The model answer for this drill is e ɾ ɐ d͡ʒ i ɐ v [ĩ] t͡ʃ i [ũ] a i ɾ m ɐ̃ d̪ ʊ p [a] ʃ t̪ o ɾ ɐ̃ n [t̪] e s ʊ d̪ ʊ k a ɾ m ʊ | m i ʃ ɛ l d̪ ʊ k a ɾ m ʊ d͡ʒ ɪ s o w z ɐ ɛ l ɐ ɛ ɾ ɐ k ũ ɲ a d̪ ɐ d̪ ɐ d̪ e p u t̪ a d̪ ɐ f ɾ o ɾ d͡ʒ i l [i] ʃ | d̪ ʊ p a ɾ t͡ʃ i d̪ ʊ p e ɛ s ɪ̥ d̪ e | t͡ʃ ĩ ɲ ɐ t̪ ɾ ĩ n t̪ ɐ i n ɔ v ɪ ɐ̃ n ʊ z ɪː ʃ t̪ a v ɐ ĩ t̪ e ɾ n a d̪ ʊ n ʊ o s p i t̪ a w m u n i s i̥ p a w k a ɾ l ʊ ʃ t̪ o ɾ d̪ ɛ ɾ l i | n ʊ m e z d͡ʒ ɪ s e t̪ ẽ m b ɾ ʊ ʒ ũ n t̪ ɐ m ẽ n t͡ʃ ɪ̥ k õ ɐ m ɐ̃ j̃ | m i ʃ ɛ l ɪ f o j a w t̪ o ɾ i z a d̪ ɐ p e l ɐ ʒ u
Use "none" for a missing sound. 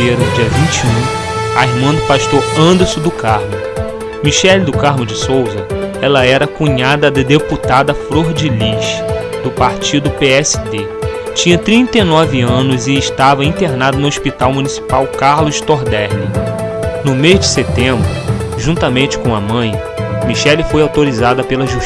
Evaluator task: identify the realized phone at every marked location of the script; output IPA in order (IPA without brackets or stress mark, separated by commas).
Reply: ĩ, ũ, a, d̪, i